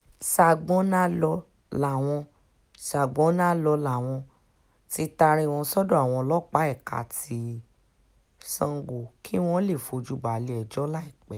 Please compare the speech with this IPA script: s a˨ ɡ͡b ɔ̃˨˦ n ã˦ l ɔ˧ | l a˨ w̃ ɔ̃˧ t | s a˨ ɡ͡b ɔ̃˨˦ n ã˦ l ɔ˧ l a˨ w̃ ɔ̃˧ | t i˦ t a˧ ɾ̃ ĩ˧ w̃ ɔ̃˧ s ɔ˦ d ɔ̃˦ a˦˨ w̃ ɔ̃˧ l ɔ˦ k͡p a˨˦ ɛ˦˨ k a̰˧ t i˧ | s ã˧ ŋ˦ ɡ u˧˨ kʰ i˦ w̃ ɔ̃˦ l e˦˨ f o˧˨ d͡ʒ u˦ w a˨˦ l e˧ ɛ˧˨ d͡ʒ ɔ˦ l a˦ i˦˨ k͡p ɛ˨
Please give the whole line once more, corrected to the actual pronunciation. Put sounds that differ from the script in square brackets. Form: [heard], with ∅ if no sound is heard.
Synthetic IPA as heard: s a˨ ɡ͡b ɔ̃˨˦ n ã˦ l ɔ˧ | l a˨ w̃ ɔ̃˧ [∅] | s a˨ ɡ͡b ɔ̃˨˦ n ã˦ l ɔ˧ l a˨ w̃ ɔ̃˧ | t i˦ t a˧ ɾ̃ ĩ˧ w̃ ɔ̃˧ s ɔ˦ d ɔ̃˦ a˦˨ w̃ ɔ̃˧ l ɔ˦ k͡p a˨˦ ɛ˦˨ k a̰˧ t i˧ | s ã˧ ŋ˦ ɡ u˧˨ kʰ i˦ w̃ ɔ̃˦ l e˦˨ f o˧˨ d͡ʒ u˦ [b] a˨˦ l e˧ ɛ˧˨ d͡ʒ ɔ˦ l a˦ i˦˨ k͡p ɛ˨